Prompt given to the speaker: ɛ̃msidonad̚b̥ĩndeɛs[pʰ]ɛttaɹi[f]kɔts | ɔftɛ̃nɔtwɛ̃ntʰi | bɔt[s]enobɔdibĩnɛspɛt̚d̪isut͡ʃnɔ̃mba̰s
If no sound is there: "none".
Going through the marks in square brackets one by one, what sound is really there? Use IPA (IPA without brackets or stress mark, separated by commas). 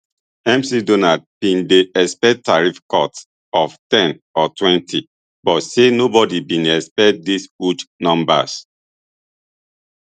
p, f, s